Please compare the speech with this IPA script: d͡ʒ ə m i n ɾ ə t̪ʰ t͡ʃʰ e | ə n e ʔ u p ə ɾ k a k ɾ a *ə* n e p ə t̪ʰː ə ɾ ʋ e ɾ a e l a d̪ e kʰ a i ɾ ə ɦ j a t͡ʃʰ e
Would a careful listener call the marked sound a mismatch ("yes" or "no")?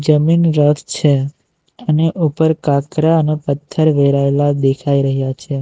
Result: no